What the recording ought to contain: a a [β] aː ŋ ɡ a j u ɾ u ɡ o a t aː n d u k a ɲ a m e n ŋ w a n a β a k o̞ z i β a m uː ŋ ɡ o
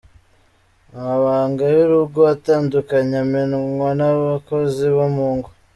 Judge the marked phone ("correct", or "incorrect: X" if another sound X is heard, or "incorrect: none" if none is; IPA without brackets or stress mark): correct